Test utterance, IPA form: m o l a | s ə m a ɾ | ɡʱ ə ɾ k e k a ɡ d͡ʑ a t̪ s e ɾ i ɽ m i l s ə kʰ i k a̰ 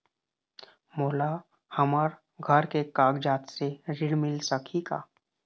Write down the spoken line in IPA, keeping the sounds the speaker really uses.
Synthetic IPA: m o l a | h ə m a ɾ | ɡʱ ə ɾ k e k a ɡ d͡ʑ a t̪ s e ɾ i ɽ m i l s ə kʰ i k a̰